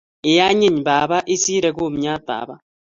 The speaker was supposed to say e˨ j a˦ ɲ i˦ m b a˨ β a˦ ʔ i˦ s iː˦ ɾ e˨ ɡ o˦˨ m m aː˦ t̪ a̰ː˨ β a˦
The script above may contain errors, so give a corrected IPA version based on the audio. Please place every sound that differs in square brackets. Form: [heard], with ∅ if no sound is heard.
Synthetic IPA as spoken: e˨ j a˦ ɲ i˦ [ɲ] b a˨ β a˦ ʔ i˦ s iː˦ ɾ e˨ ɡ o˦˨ m [ɲ] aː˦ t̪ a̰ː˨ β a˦